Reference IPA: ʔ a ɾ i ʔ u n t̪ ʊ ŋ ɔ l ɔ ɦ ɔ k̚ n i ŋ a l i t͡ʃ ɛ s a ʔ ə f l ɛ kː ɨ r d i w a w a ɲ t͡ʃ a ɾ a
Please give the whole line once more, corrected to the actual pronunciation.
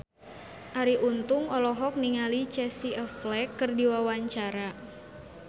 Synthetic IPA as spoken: ʔ a ɾ i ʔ u n t̪ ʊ ŋ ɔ l ɔ ɦ ɔ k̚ n i ŋ a l i t͡ʃ ɛ s i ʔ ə f l ɛ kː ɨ r d i w a w a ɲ t͡ʃ a ɾ a